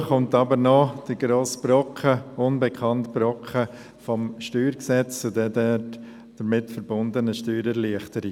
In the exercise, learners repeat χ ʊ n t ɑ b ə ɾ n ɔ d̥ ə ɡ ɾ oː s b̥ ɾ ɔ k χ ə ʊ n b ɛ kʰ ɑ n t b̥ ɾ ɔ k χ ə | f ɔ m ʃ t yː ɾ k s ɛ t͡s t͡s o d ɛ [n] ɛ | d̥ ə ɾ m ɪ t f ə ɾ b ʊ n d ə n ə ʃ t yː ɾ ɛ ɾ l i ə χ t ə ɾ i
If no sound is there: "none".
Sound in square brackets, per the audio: d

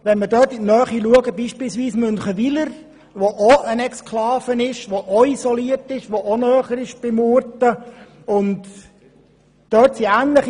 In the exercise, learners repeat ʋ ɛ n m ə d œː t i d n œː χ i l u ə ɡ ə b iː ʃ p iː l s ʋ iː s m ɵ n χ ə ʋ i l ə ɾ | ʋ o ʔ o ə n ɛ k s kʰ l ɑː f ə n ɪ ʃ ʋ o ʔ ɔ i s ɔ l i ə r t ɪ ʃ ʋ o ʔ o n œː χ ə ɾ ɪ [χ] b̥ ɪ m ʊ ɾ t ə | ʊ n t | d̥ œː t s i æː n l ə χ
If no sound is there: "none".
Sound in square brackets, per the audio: ʃ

